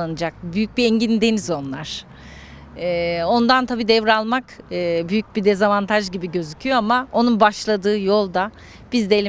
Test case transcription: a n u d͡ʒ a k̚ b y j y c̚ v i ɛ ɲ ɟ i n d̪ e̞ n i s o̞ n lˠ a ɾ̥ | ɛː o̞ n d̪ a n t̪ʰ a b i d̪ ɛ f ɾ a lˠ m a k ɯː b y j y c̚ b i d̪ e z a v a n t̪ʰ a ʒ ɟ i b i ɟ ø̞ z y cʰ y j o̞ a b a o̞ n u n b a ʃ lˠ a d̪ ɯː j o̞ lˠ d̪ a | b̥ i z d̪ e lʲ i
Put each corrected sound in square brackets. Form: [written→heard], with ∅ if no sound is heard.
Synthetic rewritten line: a n [u→ɯ] d͡ʒ a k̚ b y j y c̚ [v→b] i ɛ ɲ ɟ i n d̪ e̞ n i [s→z] o̞ n lˠ a ɾ̥ | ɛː o̞ n d̪ a n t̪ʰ a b [i→iː] d̪ ɛ [f→v] ɾ a lˠ m a k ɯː b y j y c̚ b i d̪ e z a v a n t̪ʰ a ʒ ɟ i b i ɟ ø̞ z y cʰ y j o̞ a [b→m] a o̞ n u n b a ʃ lˠ a d̪ ɯː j o̞ lˠ d̪ a | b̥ i z d̪ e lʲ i